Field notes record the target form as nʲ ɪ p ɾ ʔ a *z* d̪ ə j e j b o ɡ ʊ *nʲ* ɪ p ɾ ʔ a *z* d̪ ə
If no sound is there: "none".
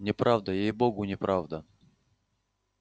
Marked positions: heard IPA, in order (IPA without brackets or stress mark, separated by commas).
v, nʲ, v